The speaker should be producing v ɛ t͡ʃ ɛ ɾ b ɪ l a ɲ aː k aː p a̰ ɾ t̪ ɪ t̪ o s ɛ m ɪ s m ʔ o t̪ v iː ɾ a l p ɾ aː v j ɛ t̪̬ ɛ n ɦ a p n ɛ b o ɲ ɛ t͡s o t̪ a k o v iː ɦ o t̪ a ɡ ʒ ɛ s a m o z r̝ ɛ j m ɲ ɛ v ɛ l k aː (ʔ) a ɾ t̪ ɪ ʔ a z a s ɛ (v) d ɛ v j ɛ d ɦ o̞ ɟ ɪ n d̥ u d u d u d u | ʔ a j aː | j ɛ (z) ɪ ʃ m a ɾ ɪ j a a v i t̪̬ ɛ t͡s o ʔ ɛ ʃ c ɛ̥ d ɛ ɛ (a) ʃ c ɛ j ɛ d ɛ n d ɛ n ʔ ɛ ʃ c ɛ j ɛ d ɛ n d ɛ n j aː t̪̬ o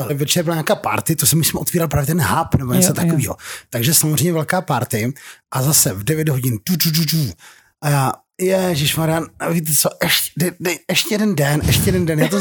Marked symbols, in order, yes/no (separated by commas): no, yes, no, no